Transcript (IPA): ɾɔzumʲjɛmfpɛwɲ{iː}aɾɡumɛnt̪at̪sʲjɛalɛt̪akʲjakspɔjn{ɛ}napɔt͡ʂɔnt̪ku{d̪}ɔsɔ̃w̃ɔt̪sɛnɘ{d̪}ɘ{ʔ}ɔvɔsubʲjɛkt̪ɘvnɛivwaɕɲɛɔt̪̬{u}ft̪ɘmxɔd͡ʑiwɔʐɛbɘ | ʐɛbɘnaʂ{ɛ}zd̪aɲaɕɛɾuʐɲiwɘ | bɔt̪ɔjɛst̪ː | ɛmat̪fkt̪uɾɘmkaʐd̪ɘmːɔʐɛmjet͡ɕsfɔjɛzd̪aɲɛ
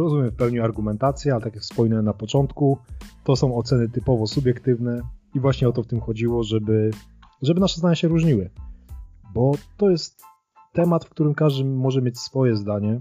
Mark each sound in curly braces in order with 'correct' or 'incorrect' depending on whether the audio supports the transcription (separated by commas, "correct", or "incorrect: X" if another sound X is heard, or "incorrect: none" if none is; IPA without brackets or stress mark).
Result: incorrect: i, correct, incorrect: t̪, incorrect: t̪, incorrect: p, incorrect: ɔ, correct